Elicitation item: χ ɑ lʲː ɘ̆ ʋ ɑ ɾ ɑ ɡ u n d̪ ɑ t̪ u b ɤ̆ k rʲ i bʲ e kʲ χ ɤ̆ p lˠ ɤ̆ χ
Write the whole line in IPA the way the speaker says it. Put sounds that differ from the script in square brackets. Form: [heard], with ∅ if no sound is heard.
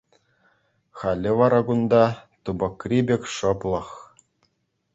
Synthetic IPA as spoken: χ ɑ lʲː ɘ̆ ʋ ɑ ɾ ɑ ɡ u n d̪ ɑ t̪ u b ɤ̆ k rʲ i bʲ e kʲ [ʂ] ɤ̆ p lˠ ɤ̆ χ